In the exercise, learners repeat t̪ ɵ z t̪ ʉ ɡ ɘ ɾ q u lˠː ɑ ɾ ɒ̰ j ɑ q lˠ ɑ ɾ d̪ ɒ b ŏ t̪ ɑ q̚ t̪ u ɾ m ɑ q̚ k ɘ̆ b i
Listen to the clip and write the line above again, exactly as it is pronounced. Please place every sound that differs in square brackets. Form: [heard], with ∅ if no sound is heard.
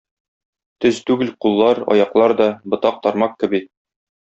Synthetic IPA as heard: t̪ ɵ z t̪ ʉ ɡ ɘ [l] q u lˠː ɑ ɾ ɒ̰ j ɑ q lˠ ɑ ɾ d̪ ɒ b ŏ t̪ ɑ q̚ t̪ [ɒ] ɾ m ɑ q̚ k ɘ̆ b i